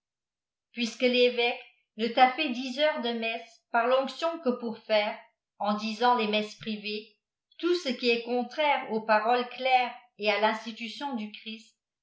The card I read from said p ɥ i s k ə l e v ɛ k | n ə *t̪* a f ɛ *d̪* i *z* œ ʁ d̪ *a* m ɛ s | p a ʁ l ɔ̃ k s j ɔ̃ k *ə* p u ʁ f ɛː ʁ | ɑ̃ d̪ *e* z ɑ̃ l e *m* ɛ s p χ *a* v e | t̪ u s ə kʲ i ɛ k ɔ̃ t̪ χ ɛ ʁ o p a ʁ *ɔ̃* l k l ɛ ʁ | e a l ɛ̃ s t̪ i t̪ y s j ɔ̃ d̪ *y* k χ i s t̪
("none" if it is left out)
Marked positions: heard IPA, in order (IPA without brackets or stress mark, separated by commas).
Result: t̪, d̪, z, ə, ə, i, m, i, ɔ, y